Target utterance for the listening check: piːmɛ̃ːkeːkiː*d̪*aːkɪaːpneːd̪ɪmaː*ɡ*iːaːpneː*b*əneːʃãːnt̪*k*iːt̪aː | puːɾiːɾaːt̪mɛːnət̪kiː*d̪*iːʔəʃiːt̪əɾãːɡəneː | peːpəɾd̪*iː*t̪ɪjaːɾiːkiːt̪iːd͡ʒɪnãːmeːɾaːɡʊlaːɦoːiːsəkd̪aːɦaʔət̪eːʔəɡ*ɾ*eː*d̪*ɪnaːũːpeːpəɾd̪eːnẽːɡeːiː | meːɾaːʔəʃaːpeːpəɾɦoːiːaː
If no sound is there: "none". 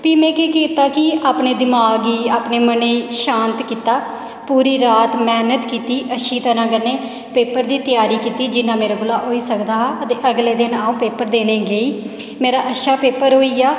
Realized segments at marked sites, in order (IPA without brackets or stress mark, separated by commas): t̪, ɡ, m, k, t̪, iː, l, d̪